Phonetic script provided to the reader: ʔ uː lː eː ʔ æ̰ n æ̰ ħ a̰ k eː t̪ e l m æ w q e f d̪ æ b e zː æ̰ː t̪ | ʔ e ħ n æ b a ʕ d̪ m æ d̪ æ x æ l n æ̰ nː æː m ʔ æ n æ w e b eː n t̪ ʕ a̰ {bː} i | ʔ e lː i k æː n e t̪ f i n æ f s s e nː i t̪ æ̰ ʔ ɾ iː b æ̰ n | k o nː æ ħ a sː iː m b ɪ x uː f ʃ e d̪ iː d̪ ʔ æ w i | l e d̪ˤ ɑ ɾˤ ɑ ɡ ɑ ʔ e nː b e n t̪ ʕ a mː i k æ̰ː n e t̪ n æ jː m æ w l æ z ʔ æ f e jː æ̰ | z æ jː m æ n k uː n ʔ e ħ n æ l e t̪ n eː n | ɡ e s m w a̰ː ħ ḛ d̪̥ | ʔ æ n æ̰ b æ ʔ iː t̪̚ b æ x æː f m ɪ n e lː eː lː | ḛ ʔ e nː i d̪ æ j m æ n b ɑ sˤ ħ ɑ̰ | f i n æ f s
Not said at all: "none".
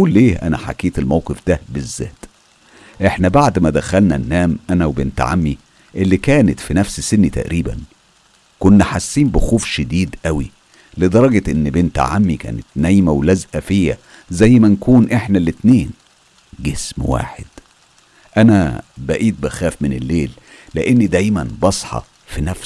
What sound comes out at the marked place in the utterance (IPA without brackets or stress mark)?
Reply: mː